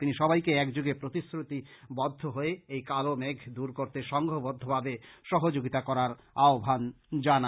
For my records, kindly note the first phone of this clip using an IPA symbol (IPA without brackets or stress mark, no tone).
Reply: t̪